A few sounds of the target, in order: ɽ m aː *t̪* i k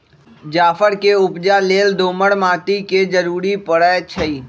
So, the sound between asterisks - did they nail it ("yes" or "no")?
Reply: yes